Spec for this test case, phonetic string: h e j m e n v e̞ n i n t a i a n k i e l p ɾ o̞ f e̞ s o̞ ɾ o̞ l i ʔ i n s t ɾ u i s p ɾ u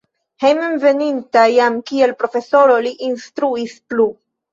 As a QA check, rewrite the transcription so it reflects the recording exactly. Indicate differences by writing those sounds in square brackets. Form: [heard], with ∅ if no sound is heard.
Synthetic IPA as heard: h e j m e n v e̞ n i n t a [j] a [m] k i e l p ɾ o̞ f e̞ s o̞ ɾ o̞ l i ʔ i n s t ɾ u i s p [l] u